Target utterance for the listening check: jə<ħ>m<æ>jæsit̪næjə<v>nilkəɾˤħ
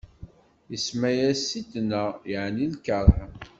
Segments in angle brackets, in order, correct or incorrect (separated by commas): incorrect, correct, incorrect